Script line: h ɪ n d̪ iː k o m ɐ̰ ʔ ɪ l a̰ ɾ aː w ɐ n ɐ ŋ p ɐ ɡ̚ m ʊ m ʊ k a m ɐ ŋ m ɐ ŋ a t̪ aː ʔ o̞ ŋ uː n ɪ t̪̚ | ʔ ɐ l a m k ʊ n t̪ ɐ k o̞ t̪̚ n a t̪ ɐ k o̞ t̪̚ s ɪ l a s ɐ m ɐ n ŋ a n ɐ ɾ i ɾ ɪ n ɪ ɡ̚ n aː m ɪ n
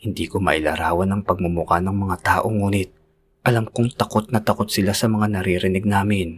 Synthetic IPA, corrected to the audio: h ɪ n d̪ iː k o m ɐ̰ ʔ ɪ l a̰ ɾ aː w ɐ n ɐ ŋ p ɐ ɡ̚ m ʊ m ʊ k a n ɐ ŋ m ɐ ŋ a t̪ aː ʔ o̞ ŋ uː n ɪ t̪̚ | ʔ ɐ l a m k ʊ ŋ t̪ ɐ k o̞ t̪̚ n ɐ t̪ ɐ k o̞ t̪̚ s ɪ l a s ɐ m ɐ ŋ a n ɐ ɾ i ɾ ɪ n ɪ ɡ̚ n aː m ɪ n